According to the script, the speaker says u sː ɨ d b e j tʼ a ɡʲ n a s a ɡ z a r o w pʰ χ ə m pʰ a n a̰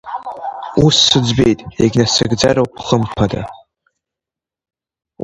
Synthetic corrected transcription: u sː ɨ d͡z b e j tʼ e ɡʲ n a s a ɡ d͡z a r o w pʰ χ ə m pʰ a d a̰

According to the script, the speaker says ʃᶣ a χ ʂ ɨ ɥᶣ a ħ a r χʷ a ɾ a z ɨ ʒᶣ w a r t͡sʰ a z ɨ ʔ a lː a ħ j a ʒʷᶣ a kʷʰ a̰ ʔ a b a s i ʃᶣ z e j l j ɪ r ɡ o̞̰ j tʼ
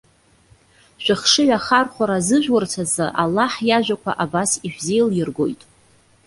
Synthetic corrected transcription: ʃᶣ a χ ʂ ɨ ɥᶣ a χ a r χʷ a ɾ a z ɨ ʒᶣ w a r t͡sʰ a z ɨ ʔ a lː a ħ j a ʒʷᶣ a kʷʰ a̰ ʔ a b a s i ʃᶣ z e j l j ɪ r ɡ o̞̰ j tʼ

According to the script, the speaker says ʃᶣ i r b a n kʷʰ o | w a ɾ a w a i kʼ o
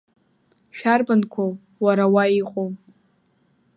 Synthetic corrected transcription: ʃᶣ a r b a n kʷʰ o | w a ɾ a w a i qʼ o

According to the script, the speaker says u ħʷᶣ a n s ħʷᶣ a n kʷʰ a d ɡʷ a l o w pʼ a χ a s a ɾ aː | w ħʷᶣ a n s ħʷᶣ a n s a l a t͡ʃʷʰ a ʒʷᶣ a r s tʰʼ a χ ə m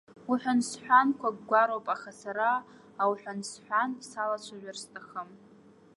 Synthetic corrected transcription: u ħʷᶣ a n s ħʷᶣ a n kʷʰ a ɡ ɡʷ a ɾ o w pʼ a χ a s a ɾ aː | w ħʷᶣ a n s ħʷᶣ a n s a l a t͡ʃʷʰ a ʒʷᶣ a r s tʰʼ a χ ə m

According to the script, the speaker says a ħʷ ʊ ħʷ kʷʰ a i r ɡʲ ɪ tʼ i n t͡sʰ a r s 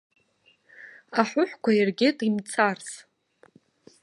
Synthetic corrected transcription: a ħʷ ʊ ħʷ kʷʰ a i r ɡʲ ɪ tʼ i m t͡sʰ a r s

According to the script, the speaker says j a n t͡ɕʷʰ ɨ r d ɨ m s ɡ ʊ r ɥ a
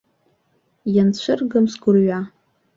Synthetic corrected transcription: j a n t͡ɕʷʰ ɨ r ɡ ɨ m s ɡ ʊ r ɥ a

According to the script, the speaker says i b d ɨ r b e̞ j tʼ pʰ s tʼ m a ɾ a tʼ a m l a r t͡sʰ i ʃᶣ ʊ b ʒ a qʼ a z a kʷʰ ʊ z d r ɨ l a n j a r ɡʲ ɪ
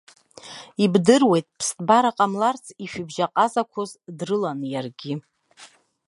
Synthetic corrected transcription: i b d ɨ r w e̞ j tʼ pʰ s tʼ b a ɾ a qʼ a m l a r t͡sʰ i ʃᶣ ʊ b ʒ a qʼ a z a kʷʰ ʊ z d r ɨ l a n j a r ɡʲ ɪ

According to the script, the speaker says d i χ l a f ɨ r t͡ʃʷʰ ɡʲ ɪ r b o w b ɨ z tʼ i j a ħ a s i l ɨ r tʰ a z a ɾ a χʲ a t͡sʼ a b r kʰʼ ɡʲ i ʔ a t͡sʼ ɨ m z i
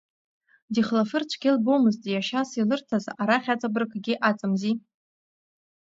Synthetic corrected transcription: d i χ l a f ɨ r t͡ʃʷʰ ɡʲ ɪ l b o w m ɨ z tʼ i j a ʃ a s i l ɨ r tʰ a z a ɾ a χʲ a t͡sʼ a b r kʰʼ ɡʲ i ʔ a t͡sʼ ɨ m z i

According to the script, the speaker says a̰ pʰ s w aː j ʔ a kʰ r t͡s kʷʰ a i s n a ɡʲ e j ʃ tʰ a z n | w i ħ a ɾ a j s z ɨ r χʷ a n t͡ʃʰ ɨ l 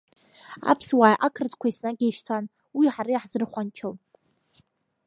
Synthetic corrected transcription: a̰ pʰ s w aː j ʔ a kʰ r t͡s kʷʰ a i s n a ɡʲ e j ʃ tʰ a n | w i ħ a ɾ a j ħ z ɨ r χʷ a n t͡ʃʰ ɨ l

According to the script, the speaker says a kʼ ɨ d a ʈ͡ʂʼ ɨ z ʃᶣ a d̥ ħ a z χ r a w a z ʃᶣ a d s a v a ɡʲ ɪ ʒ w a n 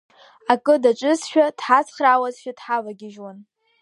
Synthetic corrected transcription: a kʼ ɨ d a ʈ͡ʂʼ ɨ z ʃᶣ a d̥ ħ a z χ r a w a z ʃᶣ a d ħ a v a ɡʲ ɪ ʒ w a n

